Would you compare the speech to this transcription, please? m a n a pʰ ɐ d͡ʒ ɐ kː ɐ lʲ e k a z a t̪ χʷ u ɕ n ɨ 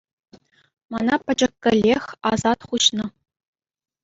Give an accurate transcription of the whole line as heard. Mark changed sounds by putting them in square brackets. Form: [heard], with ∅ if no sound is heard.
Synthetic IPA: m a n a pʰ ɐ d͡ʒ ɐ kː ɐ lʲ e [x] a z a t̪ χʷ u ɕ n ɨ